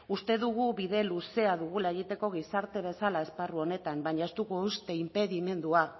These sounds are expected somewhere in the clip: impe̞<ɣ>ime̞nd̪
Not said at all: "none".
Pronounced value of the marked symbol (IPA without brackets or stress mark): ð